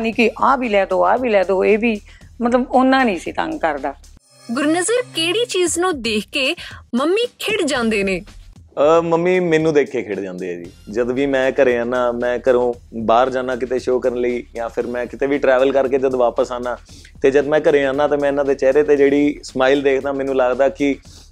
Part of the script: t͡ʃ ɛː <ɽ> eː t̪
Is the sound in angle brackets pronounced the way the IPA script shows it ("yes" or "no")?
no